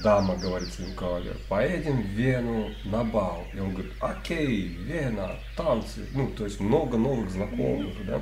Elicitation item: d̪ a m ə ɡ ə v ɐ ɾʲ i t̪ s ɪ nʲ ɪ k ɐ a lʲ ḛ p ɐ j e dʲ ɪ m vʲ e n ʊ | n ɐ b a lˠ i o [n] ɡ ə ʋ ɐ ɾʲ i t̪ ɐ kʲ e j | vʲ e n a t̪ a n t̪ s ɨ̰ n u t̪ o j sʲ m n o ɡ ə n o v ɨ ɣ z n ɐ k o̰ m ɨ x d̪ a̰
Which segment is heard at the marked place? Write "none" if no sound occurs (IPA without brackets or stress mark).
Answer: n